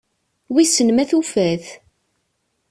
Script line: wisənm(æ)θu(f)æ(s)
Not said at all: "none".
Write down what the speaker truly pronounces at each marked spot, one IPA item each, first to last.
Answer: æ, f, θ

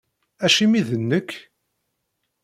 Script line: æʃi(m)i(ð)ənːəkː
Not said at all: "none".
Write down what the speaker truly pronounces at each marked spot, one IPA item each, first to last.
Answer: m, ð

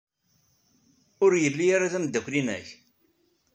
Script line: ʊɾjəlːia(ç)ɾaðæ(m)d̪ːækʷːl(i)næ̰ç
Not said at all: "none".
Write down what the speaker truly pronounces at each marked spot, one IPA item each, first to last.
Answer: none, m, i

